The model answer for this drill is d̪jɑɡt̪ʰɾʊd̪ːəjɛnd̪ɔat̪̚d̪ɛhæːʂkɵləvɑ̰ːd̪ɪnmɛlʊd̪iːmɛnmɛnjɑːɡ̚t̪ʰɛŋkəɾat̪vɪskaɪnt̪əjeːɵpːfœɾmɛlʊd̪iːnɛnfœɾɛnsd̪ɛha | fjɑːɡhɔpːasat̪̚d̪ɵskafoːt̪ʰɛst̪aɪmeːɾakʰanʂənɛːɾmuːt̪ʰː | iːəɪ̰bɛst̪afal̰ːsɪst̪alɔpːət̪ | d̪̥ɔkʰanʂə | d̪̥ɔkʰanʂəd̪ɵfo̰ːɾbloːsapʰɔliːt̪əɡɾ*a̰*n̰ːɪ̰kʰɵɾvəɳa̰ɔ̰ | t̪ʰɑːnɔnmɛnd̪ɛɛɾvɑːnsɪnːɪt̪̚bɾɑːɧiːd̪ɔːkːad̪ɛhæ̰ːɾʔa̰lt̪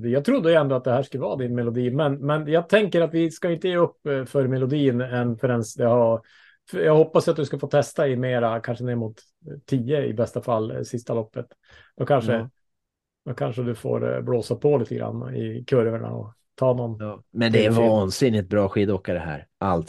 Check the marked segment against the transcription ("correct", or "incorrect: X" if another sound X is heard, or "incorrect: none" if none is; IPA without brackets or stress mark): correct